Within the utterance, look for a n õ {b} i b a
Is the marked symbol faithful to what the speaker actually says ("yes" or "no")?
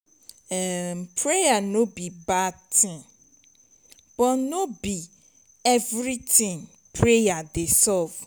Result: yes